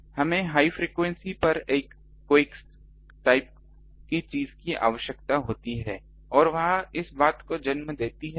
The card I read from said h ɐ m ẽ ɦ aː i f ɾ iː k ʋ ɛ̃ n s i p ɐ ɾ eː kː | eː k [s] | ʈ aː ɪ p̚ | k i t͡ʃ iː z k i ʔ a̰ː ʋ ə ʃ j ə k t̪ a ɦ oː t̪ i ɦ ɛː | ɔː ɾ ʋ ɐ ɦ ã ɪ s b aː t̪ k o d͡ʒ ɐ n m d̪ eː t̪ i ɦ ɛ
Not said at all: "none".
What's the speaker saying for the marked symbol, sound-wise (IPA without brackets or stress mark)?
s